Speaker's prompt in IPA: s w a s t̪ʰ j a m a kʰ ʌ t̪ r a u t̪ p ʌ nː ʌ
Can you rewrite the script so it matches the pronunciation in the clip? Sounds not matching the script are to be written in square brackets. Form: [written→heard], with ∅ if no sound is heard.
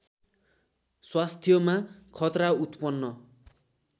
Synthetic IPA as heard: s w a s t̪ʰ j [a→ʌ] m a kʰ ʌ t̪ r a u t̪ p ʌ nː ʌ